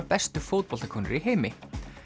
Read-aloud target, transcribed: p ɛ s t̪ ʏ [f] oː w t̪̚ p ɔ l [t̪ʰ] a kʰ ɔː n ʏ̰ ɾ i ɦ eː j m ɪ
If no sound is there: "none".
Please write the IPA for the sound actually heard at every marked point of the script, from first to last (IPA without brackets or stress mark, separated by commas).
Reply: f, t̪